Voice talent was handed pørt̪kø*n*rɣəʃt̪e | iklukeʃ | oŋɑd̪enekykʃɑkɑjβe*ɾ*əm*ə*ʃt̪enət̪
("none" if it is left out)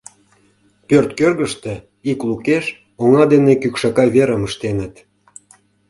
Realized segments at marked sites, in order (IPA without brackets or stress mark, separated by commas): none, ɾ, ə